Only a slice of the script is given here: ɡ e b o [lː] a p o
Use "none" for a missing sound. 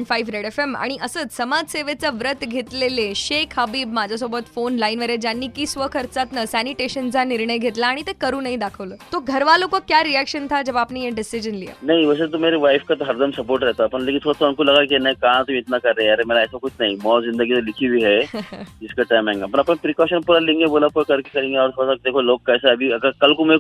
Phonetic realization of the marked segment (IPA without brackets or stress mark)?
l